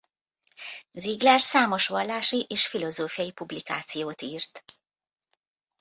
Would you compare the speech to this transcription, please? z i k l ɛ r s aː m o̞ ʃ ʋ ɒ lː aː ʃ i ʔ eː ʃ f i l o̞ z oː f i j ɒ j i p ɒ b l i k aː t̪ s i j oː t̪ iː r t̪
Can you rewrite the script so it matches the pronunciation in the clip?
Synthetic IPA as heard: z i ɡ l ɛ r s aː m o̞ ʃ ʋ ɒ lː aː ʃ i ʔ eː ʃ f i l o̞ z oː f i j ɒ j i p u b l i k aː t̪ s i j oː t̪ iː r t̪